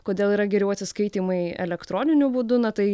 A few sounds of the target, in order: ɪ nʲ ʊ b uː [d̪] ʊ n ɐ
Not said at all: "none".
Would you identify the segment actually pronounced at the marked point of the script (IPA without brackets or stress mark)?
d̪